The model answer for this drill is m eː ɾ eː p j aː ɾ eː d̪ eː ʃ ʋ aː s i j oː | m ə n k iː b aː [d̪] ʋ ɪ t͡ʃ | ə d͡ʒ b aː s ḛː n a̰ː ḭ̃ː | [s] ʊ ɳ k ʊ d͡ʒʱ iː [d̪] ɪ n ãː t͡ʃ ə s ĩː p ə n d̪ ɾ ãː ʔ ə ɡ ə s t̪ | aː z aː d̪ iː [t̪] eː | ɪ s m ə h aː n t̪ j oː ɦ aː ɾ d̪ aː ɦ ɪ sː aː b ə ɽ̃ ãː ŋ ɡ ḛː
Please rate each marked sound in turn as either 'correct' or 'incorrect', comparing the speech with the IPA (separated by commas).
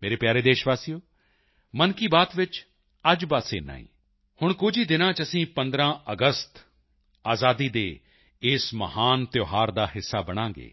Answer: incorrect, incorrect, correct, incorrect